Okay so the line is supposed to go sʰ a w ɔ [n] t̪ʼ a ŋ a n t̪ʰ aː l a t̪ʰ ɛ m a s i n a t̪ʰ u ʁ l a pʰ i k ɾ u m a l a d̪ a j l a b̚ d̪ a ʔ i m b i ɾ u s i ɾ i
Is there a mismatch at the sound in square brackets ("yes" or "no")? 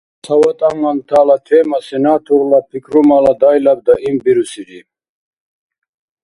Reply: yes